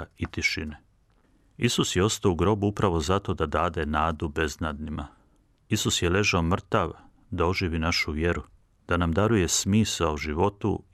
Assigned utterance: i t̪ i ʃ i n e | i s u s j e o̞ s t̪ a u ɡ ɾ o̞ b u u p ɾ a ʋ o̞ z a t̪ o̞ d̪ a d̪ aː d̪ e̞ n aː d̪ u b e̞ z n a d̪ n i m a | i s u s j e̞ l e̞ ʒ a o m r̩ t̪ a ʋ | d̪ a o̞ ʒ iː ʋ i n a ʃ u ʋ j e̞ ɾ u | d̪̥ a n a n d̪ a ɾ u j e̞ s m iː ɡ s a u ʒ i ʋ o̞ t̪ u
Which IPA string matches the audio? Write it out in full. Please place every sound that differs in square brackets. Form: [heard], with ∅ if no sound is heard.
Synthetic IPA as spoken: i t̪ i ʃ i n e | i s u s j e o̞ s t̪ a u ɡ ɾ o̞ b u u p ɾ a ʋ o̞ z a t̪ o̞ d̪ a d̪ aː d̪ e̞ n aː d̪ u b e̞ z n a d̪ n i m a | i s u s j e̞ l e̞ ʒ a o m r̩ t̪ a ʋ | d̪ a o̞ ʒ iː ʋ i n a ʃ u ʋ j e̞ ɾ u | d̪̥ a n a [m] d̪ a ɾ u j e̞ s m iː [∅] s a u ʒ i ʋ o̞ t̪ u